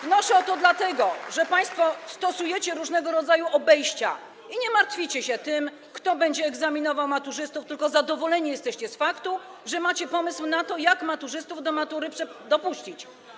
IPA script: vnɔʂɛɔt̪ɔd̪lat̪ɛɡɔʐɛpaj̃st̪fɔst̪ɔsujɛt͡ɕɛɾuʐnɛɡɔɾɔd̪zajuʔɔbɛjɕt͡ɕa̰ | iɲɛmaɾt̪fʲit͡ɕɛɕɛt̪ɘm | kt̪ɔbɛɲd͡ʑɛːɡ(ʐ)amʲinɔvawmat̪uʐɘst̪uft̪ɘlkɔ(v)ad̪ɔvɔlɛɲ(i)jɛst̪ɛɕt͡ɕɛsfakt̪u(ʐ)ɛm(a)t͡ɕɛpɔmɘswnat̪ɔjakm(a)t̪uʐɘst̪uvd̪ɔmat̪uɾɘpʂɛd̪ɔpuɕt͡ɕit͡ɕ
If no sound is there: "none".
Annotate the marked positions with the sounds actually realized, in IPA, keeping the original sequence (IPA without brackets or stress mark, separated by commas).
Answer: z, z, i, ʐ, a, a